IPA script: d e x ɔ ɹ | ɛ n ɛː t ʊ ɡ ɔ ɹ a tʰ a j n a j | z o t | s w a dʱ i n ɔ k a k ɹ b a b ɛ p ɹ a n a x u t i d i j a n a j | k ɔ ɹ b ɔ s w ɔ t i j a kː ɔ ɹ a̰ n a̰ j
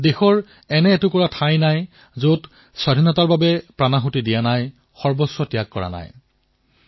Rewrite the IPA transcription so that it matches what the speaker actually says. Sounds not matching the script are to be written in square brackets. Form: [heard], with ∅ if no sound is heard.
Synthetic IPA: d e x ɔ ɹ | ɛ n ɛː t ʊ [k] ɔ ɹ a tʰ a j n a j | z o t | s w a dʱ i n ɔ [t] a [∅] ɹ b a b ɛ p ɹ a n a x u t i d i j a n a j | [x] ɔ ɹ b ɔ s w ɔ t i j a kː ɔ ɹ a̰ n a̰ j

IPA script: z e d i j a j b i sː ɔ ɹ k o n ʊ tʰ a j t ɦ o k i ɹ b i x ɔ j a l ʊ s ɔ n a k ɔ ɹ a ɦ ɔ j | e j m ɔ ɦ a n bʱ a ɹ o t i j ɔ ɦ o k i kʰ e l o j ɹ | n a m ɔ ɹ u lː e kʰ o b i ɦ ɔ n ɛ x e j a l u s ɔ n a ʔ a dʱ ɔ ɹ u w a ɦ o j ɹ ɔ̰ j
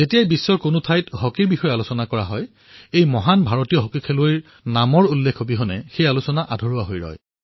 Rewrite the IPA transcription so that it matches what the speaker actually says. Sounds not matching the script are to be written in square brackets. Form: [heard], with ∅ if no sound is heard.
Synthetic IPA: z e [t] i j a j b i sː ɔ ɹ k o n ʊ tʰ a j t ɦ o k i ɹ b i x ɔ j a l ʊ s ɔ n a k ɔ ɹ a ɦ ɔ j | e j m ɔ ɦ a n bʱ a ɹ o t i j ɔ ɦ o k i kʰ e l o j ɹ | n a m ɔ ɹ u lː e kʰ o b i ɦ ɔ n ɛ x e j a l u s ɔ n a ʔ a dʱ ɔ ɹ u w a ɦ o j ɹ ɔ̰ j

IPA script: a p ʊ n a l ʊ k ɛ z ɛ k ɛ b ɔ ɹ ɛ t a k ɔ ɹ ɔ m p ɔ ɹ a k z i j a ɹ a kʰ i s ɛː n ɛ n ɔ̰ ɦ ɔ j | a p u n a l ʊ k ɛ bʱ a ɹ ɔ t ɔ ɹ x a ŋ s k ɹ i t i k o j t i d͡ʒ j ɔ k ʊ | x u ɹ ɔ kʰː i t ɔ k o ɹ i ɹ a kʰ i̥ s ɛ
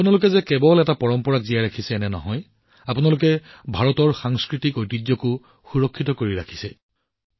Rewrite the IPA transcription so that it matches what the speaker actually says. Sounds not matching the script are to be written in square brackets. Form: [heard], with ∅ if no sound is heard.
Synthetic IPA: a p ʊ n a l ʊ k ɛ z ɛ k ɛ b ɔ [l] ɛ t a [p] ɔ ɹ ɔ m p ɔ ɹ a k z i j a ɹ a kʰ i s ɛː n ɛ n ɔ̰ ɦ ɔ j | a p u n a l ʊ k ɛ bʱ a ɹ ɔ t ɔ ɹ x a ŋ s k ɹ i t i k o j t i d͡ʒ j ɔ k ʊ | x u ɹ ɔ kʰː i t ɔ k o ɹ i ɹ a kʰ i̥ s ɛ

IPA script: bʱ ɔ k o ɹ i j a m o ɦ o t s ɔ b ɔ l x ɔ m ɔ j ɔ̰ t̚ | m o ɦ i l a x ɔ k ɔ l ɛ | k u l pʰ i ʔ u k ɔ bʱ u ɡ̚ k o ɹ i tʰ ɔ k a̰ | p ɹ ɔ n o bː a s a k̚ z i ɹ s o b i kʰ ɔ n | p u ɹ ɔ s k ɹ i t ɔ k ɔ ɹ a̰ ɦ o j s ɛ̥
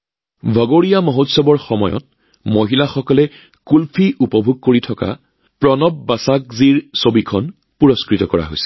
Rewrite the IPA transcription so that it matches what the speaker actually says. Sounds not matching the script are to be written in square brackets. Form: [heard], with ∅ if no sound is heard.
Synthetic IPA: bʱ ɔ [ɡ] o ɹ i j a m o ɦ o t s ɔ b ɔ [ɹ] x ɔ m ɔ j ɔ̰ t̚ | m o ɦ i l a x ɔ k ɔ l ɛ | k u l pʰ i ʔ u [p] ɔ bʱ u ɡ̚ k o ɹ i tʰ ɔ k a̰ | p ɹ ɔ n [ɔ] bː a s a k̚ z i ɹ s o b i kʰ ɔ n | p u ɹ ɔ s k ɹ i t ɔ k ɔ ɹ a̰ ɦ o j s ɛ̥

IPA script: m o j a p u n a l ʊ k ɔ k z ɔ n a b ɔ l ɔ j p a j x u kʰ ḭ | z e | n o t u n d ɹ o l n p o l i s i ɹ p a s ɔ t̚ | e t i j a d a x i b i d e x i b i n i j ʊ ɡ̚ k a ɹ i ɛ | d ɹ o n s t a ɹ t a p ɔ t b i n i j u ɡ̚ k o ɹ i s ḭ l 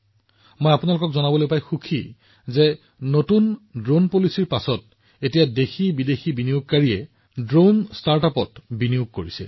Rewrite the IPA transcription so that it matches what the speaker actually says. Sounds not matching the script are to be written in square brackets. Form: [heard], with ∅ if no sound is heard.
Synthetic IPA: m o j a p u n a l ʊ k ɔ k z ɔ n a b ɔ l [o] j p a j x u kʰ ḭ | z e | n o t u n d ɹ o [∅] n p o l i s i ɹ p a s ɔ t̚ | e t i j a d [e] x i b i d e x i b i n i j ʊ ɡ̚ k a ɹ i ɛ | d ɹ o n s t a ɹ t a p ɔ t b i n i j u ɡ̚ k o ɹ i s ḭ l

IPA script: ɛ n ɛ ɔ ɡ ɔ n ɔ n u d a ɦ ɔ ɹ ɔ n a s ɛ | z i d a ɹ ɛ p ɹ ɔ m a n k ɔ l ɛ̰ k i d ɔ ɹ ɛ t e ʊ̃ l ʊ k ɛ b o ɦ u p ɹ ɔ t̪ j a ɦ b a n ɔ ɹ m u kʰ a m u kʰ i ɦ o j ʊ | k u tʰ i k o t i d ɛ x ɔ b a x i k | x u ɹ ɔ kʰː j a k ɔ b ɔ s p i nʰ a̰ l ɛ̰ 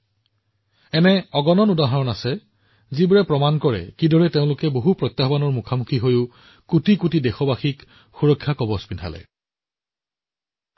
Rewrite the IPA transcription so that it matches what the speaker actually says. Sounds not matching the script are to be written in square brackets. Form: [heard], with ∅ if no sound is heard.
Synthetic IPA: ɛ n ɛ ɔ ɡ ɔ n ɔ n u d a ɦ ɔ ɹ ɔ n a s ɛ | z i [b] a ɹ ɛ p ɹ ɔ m a n k ɔ [ɹ] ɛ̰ k i d ɔ ɹ ɛ t e ʊ̃ l ʊ k ɛ b o ɦ u p ɹ ɔ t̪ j a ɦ b a n ɔ ɹ m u kʰ a m u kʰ i ɦ o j ʊ | k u [t] i k [u] t i d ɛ x ɔ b a x i k | x u ɹ ɔ kʰː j a k ɔ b ɔ s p i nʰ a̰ l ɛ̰

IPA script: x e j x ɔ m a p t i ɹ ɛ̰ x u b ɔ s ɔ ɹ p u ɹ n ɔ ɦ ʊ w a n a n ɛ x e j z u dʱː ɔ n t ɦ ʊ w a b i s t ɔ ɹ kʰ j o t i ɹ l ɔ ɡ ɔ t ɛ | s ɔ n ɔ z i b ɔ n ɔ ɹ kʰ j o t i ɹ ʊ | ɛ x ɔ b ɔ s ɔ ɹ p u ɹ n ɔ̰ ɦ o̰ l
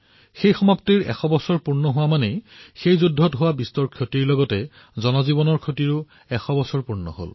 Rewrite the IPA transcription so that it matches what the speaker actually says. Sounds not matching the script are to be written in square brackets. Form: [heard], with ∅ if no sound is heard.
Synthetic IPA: x e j x ɔ m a p t i ɹ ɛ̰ x [ɔ] b ɔ s ɔ ɹ p u ɹ n ɔ ɦ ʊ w a [m] a n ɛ x e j z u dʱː ɔ [∅] t ɦ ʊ w a b i s t ɔ ɹ kʰ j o t i ɹ l ɔ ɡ ɔ t ɛ | [z] ɔ n ɔ z i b ɔ n ɔ ɹ kʰ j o t i ɹ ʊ | ɛ x ɔ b ɔ s ɔ ɹ p u ɹ n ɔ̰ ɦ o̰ l

